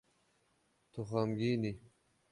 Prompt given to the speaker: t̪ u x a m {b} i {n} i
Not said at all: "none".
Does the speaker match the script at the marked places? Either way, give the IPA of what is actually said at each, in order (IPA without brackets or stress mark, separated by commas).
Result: ɡ, n